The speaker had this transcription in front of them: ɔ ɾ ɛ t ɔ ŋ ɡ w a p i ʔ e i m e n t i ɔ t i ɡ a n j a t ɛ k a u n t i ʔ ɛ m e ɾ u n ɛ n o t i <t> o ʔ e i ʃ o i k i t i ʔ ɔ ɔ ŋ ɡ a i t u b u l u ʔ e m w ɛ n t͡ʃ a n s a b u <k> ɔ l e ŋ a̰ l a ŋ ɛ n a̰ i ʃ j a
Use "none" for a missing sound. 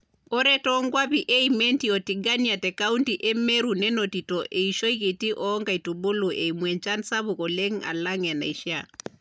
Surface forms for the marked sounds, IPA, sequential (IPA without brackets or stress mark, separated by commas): t, k